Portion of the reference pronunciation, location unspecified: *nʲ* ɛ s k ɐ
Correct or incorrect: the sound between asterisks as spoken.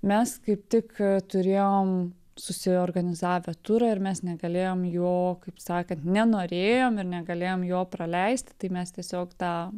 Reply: incorrect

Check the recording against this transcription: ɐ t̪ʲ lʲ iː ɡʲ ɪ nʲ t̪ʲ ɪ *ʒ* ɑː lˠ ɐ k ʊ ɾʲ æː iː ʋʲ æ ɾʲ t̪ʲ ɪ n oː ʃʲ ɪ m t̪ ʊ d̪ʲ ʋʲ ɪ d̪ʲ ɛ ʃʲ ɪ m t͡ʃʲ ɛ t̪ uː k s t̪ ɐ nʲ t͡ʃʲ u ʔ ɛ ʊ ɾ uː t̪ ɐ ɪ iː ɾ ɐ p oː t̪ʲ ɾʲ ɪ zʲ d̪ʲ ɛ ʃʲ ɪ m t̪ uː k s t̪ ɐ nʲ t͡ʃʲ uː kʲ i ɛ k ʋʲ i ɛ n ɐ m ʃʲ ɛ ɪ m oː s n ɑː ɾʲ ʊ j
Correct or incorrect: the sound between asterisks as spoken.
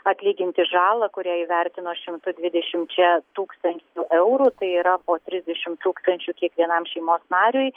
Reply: correct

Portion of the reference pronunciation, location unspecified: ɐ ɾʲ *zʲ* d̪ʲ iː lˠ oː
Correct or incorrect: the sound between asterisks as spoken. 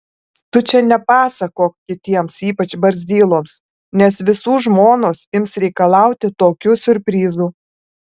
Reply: correct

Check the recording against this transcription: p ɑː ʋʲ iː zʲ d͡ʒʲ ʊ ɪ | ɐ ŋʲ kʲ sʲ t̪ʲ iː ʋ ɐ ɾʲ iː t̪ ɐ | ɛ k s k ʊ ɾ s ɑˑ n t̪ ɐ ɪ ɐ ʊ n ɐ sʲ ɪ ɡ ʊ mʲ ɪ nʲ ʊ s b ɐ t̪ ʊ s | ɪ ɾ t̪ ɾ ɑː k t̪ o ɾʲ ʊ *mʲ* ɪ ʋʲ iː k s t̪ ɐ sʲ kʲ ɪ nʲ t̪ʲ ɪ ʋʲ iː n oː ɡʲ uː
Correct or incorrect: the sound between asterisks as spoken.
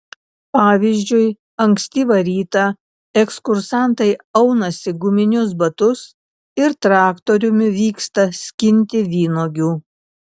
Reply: correct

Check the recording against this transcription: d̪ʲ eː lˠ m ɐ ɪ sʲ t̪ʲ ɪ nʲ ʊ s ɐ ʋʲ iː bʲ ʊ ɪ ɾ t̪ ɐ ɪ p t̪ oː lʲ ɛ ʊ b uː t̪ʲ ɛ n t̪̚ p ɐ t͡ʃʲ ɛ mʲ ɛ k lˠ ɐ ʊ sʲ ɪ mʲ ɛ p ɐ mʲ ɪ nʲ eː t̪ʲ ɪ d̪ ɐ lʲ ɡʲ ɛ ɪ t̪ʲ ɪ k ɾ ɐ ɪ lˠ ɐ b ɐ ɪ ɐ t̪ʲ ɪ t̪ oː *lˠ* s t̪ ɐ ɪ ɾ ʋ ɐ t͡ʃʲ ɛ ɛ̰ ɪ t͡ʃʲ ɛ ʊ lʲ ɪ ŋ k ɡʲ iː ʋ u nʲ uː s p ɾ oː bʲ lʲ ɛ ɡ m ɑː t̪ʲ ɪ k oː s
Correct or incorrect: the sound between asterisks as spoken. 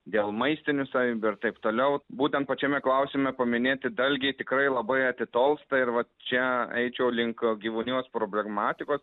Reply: correct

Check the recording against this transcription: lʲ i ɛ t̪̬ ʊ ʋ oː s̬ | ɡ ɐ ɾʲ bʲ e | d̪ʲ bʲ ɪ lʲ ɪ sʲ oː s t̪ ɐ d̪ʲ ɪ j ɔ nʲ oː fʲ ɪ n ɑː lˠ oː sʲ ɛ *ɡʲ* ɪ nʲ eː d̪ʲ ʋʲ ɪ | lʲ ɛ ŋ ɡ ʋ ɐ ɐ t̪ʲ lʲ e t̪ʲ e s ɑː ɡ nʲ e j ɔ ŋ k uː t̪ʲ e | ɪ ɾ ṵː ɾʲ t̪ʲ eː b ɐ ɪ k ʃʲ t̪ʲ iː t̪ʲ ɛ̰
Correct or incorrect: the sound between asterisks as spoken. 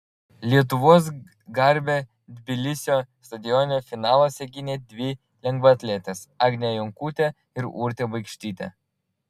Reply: correct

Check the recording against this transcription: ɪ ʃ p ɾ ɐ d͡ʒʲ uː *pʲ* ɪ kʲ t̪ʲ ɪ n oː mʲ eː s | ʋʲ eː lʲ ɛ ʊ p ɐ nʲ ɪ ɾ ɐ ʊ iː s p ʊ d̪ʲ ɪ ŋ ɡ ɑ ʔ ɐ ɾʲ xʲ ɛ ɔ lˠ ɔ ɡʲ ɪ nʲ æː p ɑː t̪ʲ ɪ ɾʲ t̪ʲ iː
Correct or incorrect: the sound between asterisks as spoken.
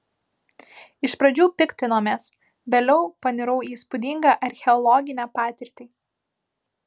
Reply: correct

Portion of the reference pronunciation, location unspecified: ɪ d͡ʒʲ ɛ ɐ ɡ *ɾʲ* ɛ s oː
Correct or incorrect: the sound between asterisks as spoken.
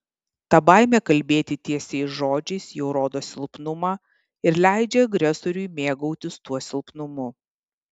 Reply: correct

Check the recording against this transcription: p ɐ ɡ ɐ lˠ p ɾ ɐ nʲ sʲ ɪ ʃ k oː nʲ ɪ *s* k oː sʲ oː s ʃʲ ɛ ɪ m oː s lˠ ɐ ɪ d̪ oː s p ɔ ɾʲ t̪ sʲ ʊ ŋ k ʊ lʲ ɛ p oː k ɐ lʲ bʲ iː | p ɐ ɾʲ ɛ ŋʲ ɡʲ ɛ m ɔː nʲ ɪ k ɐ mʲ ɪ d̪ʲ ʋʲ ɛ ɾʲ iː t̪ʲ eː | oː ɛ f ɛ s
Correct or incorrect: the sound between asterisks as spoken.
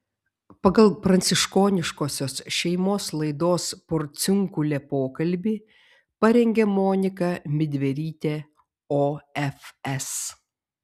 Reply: incorrect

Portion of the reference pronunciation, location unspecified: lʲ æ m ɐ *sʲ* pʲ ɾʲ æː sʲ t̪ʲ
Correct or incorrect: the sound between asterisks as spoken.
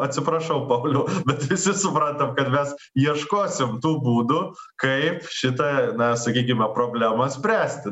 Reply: correct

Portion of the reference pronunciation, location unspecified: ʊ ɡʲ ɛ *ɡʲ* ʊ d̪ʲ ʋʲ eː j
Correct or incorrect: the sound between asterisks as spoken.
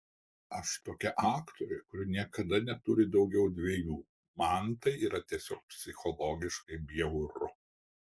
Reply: incorrect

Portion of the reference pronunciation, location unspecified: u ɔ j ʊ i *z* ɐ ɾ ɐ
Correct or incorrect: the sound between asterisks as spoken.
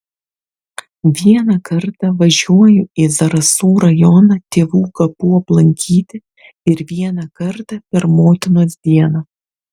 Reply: correct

